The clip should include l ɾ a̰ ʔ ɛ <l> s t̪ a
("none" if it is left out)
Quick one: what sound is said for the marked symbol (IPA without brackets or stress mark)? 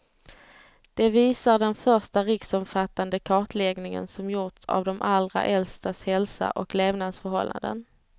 l